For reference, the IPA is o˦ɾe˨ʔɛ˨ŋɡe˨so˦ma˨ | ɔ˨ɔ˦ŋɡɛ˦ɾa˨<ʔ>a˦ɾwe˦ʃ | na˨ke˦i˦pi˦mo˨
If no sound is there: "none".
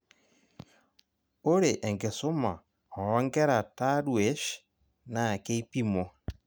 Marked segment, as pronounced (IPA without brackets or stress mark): t